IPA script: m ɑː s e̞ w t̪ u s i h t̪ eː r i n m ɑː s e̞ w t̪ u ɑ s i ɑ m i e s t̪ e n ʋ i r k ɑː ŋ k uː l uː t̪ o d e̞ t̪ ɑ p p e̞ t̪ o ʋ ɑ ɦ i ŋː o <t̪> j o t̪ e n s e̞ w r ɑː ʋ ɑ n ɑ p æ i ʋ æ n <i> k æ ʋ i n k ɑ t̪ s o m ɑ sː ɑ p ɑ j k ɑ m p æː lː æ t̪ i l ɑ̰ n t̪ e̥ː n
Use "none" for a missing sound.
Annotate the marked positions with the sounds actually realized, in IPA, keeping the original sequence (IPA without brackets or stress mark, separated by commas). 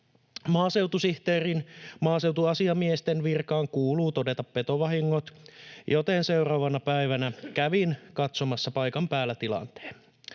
t̪, æ